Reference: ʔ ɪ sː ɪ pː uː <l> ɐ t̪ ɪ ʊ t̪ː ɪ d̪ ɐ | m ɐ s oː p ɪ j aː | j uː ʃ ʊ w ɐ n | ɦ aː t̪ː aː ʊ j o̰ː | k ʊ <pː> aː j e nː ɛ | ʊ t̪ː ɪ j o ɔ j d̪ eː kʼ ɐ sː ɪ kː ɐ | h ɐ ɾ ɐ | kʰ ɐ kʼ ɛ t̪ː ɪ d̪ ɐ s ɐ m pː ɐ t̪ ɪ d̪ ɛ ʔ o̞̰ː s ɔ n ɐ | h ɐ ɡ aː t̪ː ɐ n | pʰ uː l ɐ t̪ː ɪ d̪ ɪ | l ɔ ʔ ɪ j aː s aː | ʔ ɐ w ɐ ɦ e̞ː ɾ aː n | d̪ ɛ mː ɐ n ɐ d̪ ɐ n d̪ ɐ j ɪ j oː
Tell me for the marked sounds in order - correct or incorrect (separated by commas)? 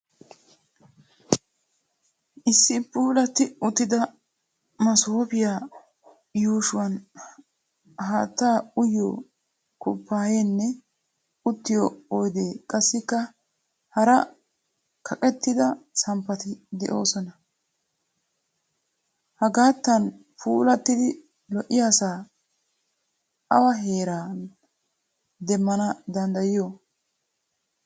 correct, correct